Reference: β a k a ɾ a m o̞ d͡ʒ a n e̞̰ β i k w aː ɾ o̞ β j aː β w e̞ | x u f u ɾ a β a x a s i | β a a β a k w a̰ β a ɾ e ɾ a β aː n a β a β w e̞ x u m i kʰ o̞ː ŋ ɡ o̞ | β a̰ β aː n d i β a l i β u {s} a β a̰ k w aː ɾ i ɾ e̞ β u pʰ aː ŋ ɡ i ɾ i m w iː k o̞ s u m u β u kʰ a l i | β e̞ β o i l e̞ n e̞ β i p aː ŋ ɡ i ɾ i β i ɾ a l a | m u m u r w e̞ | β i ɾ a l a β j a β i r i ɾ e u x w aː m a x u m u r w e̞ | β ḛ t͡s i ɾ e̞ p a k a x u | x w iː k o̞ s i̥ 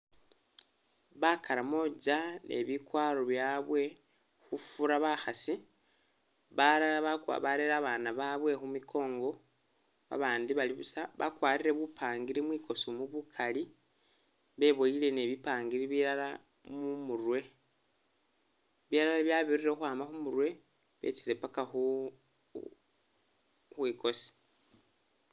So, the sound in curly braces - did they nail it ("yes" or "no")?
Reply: yes